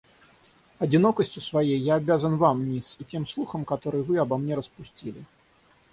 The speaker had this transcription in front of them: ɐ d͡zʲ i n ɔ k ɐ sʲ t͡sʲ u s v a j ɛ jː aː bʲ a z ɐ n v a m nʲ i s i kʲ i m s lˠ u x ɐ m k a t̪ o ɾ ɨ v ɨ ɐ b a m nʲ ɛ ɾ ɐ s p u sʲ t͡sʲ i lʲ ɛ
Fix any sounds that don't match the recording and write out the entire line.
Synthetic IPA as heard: ɐ d͡zʲ i n ɔ k ɐ sʲ t͡sʲ u s v a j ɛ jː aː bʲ a z ɐ n v a m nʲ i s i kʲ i m s lˠ u x ɐ m k a t̪ ɔ ɾ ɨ v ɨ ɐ b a m nʲ ɛ ɾ ɐ s p u sʲ t͡sʲ i lʲ i